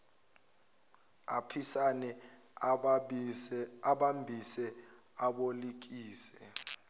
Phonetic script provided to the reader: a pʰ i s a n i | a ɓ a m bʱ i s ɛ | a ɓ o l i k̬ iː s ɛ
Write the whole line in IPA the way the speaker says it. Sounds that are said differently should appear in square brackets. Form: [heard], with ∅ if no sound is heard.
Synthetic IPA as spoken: a pʰ i s a n [ɛ] | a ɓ a m bʱ i s ɛ | a ɓ o l i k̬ iː s ɛ